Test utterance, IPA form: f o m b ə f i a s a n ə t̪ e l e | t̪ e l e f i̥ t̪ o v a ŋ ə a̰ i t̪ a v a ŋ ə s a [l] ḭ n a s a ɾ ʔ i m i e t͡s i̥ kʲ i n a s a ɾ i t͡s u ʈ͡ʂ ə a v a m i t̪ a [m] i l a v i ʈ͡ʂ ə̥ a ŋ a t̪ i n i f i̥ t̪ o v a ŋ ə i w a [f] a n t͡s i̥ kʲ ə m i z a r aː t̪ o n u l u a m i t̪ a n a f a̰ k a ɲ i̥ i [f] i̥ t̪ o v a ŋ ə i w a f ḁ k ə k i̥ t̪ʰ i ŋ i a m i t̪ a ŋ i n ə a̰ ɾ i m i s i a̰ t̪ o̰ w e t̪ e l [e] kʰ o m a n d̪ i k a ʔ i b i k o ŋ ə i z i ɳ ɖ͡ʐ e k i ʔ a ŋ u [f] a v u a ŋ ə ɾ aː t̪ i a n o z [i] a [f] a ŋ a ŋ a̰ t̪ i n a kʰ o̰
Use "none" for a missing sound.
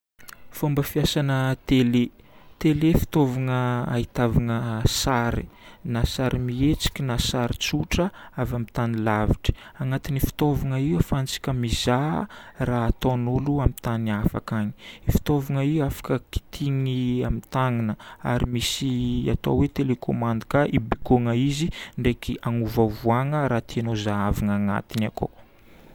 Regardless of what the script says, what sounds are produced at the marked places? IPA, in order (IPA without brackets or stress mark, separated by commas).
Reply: ɾ, n, f, f, e, v, a, v